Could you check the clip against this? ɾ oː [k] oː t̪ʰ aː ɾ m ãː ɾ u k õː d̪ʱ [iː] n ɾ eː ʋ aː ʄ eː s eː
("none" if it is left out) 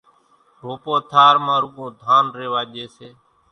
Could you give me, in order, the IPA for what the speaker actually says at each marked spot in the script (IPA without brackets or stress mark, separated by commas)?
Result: p, aː